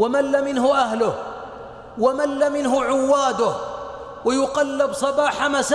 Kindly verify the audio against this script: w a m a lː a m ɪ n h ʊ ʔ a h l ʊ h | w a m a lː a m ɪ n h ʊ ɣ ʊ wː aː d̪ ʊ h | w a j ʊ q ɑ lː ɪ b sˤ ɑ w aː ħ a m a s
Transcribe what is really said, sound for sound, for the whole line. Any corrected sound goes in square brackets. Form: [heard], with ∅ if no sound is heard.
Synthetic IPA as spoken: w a m a lː a m ɪ n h ʊ ʔ a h l ʊ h | w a m a lː a m ɪ n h ʊ [ʕ] ʊ wː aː d̪ ʊ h | w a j ʊ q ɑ lː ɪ b sˤ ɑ [b] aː ħ a m a s